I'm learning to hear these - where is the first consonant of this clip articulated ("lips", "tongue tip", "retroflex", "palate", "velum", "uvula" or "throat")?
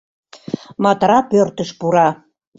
lips